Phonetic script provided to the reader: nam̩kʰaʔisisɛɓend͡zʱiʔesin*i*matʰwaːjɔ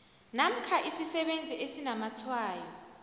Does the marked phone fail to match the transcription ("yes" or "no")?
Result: yes